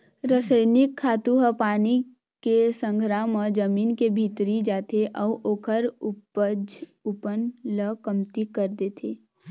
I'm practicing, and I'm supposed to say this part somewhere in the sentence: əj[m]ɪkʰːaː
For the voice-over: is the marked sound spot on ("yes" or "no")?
no